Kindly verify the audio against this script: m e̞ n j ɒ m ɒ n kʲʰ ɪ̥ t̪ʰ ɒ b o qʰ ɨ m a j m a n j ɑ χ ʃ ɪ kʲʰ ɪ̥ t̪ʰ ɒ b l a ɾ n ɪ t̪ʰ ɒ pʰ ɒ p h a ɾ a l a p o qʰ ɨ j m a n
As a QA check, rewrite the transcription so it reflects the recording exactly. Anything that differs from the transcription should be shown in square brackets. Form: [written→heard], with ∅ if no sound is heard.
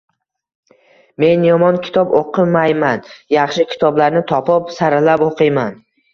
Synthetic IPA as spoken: m e̞ n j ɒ m ɒ n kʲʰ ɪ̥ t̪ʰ ɒ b o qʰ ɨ m a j m a n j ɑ χ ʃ ɪ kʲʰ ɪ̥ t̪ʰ ɒ b l a ɾ n ɪ t̪ʰ ɒ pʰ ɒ p [h→s] a ɾ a l a p o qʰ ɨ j m a n